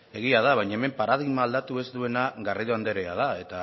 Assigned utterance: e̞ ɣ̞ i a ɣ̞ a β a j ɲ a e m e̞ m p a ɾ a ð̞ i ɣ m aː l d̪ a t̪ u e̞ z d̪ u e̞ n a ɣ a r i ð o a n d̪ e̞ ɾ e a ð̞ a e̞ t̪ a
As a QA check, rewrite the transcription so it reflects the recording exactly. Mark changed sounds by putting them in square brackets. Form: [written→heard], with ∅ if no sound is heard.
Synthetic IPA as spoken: e̞ ɣ̞ i a [ɣ̞→ð̞] a β a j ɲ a e m e̞ m p a ɾ a ð̞ i ɣ m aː l d̪ a t̪ u e̞ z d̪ u e̞ n a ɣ a r i ð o a n d̪ e̞ ɾ e a ð̞ a e̞ t̪ a